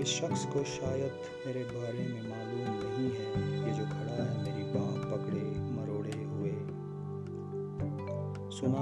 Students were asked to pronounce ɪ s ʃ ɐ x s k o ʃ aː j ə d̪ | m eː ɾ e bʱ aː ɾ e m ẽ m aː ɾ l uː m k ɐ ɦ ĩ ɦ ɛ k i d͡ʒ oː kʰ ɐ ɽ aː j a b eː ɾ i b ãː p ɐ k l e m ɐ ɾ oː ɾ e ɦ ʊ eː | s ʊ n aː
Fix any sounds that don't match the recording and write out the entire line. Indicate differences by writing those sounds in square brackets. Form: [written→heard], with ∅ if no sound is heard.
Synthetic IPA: ɪ s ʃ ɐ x s k o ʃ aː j ə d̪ | m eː ɾ e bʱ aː ɾ e m ẽ m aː [ɾ→∅] l uː m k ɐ ɦ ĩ ɦ ɛ k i d͡ʒ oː kʰ ɐ ɽ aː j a [b→m] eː ɾ i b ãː p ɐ k [l→ɽ] e m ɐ ɾ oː [ɾ→ɽ] e ɦ ʊ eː | s ʊ n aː